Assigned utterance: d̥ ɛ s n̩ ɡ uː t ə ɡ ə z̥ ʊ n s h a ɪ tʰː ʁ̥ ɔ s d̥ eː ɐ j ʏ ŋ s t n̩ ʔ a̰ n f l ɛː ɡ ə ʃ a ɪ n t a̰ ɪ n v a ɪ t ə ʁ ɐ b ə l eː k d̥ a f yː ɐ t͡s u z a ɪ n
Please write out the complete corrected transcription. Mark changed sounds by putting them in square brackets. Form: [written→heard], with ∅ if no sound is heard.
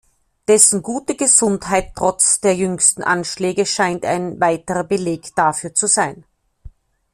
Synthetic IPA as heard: d̥ ɛ s n̩ ɡ uː t ə ɡ ə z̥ ʊ n [s→t] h a ɪ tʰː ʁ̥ ɔ [s→t͡s] d̥ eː ɐ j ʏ ŋ s t n̩ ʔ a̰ n [f→ʃ] l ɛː ɡ ə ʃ a ɪ n t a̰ ɪ n v a ɪ t ə ʁ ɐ b ə l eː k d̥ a f yː ɐ t͡s u z a ɪ n